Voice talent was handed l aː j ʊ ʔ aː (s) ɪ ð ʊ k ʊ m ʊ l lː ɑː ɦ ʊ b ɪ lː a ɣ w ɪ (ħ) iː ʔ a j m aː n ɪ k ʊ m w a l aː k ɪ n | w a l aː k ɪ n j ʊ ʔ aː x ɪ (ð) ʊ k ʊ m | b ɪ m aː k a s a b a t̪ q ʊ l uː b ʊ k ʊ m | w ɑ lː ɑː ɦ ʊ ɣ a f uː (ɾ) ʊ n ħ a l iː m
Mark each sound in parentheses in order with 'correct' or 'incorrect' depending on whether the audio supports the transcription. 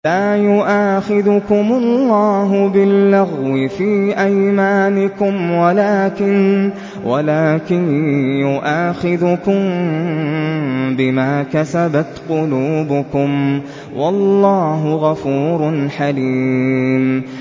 incorrect: x, incorrect: f, correct, correct

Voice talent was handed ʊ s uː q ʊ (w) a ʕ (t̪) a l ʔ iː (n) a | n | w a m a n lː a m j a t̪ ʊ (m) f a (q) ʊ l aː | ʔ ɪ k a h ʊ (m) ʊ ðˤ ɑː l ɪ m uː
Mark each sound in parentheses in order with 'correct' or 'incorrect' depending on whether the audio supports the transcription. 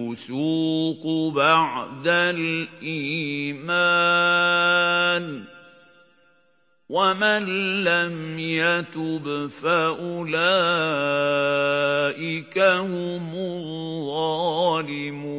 incorrect: b, incorrect: d̪, incorrect: m, incorrect: b, incorrect: ʔ, correct

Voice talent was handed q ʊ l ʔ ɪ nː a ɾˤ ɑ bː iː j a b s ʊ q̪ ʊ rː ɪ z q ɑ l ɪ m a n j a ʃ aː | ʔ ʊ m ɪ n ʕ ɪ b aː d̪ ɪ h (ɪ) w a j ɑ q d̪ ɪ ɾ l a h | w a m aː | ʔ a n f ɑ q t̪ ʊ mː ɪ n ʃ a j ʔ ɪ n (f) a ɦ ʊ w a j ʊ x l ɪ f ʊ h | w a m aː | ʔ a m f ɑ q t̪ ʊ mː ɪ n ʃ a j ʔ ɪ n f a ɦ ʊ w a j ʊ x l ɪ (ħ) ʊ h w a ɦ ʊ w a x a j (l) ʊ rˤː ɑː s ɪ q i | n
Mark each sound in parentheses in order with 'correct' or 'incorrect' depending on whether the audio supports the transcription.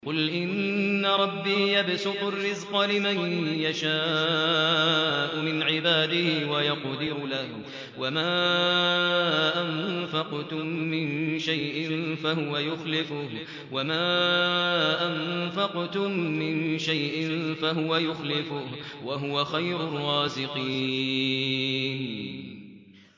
correct, correct, incorrect: f, incorrect: ɾ

